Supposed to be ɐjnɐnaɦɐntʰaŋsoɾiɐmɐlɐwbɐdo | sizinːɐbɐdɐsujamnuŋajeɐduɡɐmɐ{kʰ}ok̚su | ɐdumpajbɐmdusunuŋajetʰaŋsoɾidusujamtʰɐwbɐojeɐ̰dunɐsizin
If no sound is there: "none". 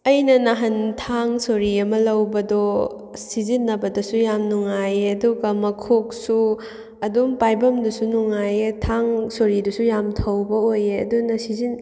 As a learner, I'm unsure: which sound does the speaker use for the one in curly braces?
kʰ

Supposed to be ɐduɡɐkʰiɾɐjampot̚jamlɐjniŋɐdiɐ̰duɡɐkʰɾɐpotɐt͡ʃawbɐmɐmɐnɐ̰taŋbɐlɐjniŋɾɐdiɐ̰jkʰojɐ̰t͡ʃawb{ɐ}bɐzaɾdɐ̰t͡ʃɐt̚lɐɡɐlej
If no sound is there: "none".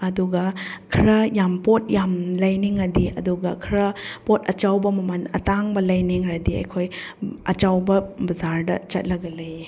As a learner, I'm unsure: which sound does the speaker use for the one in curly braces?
ɐ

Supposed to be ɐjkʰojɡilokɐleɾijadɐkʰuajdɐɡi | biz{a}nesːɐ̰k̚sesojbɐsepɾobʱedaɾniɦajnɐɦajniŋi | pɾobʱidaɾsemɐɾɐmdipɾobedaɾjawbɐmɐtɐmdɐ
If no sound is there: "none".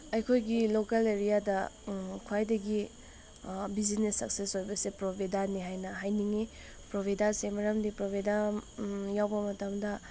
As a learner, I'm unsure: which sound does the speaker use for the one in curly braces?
i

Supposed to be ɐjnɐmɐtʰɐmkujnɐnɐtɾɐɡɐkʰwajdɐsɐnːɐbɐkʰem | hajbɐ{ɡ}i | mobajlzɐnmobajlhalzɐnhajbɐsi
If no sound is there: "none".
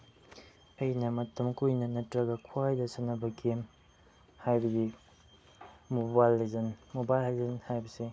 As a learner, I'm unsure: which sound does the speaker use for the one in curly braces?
ɡ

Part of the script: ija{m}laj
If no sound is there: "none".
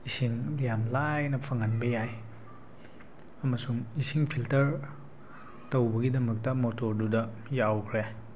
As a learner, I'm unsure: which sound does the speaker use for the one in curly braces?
m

